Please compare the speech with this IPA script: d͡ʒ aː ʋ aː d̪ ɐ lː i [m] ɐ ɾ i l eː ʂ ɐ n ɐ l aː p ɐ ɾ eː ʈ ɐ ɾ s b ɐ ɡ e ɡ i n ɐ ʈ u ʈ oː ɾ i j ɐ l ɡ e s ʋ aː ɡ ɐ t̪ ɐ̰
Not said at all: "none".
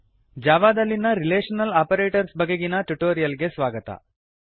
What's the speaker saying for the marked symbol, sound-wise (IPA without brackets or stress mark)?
n